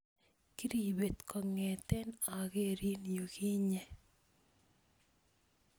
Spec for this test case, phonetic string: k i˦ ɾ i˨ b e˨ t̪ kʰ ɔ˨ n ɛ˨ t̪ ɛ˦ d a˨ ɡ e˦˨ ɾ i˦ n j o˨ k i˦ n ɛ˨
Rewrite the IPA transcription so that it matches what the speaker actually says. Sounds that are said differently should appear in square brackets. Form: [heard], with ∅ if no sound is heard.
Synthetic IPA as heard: k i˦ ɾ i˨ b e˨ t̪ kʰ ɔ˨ [ŋ] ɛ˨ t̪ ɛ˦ [n] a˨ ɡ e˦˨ ɾ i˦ n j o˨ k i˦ [ɲ] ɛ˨

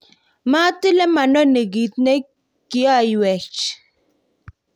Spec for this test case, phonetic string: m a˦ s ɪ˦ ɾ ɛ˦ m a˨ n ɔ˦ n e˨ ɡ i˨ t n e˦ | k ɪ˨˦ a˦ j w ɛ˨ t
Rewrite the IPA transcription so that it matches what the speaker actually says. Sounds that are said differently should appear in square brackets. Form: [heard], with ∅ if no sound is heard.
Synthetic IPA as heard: m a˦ [t] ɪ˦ [l] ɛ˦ m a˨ n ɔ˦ n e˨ ɡ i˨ t n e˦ | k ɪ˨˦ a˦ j w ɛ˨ [t͡ʃ]

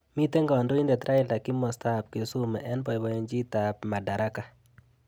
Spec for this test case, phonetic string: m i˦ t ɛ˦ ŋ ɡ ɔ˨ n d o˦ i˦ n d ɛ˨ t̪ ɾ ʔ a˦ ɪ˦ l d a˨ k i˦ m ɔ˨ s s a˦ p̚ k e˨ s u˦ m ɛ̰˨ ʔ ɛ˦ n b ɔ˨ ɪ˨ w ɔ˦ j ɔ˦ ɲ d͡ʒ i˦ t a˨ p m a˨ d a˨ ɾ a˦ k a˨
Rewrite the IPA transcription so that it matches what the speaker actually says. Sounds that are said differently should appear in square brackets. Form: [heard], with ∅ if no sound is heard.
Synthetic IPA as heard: m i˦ t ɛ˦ ŋ ɡ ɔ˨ n d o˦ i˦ n d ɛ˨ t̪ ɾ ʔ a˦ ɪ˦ l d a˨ k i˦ m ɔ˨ s [t] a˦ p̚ k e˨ s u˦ m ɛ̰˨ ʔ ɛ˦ n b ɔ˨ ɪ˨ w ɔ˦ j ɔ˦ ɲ d͡ʒ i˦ t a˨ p m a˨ d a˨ ɾ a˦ k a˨

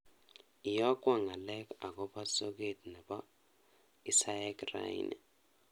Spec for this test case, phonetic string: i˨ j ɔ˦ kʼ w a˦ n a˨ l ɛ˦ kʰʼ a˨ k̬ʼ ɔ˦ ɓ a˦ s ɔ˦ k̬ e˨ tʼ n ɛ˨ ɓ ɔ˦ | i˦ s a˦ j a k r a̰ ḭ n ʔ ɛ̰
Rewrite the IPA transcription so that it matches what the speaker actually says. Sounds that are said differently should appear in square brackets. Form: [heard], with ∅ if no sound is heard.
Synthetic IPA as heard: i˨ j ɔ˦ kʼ w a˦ [ŋ] a˨ l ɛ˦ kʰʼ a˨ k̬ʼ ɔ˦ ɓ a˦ s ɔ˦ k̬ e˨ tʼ n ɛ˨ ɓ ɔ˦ | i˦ s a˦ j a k r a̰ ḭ n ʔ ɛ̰

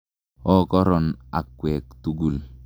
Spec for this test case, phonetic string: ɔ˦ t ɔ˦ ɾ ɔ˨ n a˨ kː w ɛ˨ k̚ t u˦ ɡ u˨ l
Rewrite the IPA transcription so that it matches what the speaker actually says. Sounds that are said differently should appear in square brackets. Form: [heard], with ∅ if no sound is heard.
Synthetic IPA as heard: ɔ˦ [k] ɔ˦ ɾ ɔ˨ n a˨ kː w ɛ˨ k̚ t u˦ ɡ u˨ l

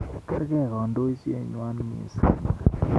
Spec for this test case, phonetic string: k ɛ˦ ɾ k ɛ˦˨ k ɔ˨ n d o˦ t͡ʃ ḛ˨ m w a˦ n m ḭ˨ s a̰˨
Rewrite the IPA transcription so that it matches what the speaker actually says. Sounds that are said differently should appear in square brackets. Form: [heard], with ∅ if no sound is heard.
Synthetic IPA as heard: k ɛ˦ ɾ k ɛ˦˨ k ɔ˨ n d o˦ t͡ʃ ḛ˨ [ɲ] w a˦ n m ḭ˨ s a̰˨

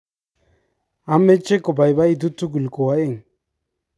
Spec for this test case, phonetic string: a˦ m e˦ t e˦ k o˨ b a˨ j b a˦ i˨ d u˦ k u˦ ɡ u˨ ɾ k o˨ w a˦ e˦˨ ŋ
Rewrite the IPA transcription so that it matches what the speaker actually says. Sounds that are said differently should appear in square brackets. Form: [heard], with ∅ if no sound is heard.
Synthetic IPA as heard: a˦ m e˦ [t͡ʃ] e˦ k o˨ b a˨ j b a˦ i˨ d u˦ [t] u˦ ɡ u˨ [l] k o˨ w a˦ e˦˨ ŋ

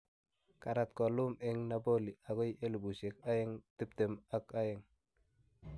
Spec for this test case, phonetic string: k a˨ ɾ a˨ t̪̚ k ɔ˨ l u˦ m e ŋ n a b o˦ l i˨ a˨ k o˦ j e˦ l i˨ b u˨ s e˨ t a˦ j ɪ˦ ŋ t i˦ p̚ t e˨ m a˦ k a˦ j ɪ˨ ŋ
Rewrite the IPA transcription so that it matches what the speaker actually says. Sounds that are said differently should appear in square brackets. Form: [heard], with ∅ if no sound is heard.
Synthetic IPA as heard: k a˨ ɾ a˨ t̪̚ k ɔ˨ l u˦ m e ŋ n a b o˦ l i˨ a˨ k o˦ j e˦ l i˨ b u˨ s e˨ [k] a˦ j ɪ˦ ŋ t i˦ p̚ t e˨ m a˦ k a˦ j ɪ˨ ŋ

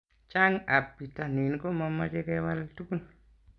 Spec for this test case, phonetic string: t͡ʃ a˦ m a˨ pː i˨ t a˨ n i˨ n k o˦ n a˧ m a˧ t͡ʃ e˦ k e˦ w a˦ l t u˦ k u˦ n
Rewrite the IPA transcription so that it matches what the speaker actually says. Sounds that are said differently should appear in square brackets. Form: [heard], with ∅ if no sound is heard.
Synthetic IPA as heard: t͡ʃ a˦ [ŋ] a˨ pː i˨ t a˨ n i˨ n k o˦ [m] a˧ m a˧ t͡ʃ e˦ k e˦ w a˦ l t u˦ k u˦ n

